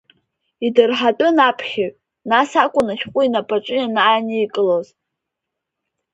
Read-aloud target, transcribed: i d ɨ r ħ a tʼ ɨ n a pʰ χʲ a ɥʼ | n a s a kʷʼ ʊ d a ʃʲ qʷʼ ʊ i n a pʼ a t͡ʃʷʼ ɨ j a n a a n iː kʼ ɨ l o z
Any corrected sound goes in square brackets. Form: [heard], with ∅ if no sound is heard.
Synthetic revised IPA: i d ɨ r ħ a tʼ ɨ n a pʰ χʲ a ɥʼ | n a s a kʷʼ ʊ [n] a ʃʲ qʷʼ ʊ i n a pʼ a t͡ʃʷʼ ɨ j a n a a n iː kʼ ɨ l o z